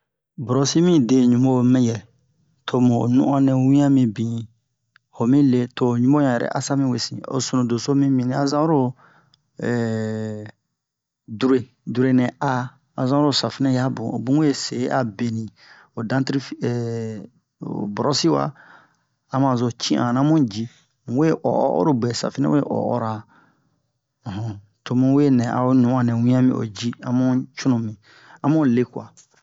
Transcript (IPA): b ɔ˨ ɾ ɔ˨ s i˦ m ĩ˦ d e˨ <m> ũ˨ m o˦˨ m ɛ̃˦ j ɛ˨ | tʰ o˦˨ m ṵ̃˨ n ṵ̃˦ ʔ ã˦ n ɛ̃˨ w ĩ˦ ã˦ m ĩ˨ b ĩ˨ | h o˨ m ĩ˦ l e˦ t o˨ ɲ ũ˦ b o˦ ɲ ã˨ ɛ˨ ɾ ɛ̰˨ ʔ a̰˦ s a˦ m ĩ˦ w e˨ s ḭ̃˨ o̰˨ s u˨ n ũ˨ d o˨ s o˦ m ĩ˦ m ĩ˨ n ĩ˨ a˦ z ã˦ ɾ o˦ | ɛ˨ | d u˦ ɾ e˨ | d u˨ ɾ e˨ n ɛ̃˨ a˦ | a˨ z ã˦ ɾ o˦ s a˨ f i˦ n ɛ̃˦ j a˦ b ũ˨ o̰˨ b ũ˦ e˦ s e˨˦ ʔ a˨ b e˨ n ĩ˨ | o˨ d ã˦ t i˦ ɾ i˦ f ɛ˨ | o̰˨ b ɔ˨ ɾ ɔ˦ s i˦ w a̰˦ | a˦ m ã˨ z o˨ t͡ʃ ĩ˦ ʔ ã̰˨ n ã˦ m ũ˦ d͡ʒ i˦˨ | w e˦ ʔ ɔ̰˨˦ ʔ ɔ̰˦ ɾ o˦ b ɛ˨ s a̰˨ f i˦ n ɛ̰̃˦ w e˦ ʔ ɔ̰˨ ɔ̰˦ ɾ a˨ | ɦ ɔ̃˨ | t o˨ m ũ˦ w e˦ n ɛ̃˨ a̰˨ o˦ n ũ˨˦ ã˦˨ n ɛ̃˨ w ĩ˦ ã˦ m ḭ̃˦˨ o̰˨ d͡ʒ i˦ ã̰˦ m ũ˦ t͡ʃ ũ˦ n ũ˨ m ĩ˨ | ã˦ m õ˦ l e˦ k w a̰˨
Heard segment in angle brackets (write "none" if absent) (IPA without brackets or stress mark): ɲ